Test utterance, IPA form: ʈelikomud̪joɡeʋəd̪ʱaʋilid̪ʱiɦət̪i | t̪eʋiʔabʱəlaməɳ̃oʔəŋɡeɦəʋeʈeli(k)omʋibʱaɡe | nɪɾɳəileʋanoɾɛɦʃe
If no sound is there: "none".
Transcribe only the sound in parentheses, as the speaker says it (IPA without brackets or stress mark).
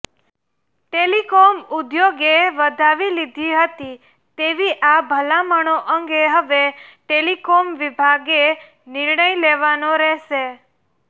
k